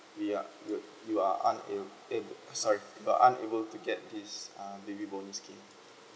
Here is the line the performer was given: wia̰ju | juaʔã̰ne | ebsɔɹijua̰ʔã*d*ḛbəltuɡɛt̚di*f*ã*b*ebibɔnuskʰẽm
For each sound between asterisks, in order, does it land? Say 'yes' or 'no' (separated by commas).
no, no, yes